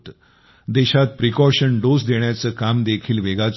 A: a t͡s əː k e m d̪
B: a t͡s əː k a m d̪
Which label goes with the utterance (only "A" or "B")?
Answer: B